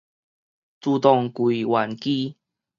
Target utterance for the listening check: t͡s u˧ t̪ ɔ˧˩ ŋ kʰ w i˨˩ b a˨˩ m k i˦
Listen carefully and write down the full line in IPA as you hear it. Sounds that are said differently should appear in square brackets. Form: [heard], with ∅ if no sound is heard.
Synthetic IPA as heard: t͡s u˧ t̪ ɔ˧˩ ŋ [k] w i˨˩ [w] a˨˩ [n] k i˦